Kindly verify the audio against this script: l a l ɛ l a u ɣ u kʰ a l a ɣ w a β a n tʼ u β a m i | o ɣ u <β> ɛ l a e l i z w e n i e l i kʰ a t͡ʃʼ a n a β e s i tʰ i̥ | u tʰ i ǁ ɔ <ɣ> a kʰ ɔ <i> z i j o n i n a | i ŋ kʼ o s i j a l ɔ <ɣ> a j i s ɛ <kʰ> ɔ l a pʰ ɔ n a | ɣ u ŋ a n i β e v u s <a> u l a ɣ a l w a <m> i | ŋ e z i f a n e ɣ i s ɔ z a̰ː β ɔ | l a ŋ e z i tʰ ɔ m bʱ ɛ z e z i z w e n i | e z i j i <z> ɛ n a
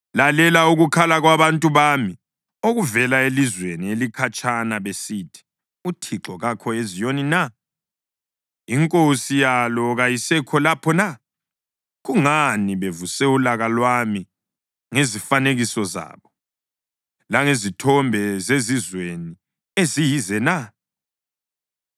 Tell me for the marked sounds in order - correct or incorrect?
incorrect, correct, incorrect, correct, correct, incorrect, correct, correct

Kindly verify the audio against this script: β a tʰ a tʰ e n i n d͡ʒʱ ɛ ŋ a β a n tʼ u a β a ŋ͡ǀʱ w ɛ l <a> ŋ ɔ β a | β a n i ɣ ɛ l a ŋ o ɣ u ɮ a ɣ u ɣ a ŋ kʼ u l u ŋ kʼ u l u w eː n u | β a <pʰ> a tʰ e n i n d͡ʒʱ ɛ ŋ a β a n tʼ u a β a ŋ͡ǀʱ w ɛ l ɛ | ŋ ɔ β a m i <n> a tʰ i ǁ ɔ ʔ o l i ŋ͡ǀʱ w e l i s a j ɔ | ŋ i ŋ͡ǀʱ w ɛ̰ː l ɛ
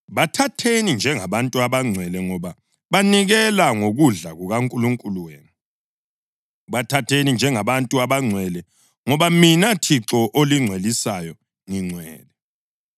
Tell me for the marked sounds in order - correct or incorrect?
incorrect, incorrect, correct

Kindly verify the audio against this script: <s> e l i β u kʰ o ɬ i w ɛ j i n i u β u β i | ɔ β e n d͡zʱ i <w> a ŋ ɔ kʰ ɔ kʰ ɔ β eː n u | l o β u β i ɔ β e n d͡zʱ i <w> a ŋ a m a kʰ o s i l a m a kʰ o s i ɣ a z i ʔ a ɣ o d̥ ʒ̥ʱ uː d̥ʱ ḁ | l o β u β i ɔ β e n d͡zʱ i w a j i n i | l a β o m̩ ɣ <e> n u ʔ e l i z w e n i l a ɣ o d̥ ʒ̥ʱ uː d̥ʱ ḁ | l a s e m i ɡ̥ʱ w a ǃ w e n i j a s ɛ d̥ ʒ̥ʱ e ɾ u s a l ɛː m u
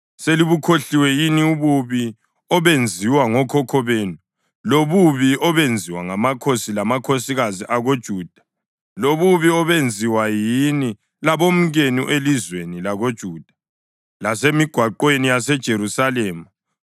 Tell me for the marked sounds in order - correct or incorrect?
correct, correct, correct, correct

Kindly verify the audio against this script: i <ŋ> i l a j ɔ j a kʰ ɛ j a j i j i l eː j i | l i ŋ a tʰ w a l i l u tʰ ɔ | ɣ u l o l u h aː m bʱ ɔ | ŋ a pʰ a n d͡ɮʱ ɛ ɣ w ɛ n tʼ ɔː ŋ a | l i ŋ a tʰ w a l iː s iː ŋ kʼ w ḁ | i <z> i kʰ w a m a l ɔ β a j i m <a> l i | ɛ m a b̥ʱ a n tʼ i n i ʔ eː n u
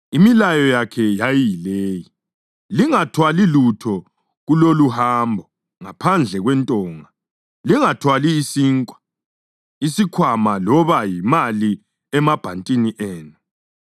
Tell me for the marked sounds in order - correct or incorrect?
incorrect, incorrect, correct

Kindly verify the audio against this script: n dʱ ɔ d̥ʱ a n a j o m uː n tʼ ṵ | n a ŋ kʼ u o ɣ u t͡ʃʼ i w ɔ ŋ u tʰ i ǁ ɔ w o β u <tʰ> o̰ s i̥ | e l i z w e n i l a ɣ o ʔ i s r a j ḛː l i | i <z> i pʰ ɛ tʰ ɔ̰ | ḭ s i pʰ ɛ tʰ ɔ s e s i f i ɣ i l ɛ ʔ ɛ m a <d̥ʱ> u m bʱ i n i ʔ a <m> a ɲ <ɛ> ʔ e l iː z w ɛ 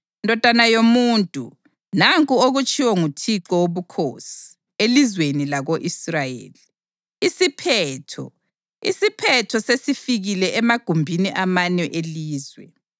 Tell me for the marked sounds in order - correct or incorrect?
incorrect, incorrect, incorrect, correct, correct

